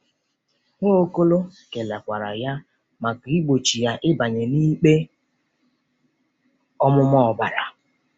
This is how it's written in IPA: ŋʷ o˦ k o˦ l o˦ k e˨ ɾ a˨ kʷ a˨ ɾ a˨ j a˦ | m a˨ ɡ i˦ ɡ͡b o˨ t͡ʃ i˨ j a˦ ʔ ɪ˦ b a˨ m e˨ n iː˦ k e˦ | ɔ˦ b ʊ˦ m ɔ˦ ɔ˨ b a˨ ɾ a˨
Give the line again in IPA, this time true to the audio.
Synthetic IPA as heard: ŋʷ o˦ k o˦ l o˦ k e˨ l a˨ kʷ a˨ ɾ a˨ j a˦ | m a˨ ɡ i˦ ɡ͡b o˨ t͡ʃ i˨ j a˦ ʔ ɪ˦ b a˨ ɲ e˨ n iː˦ k͡p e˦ | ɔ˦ m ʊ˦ m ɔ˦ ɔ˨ b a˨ ɾ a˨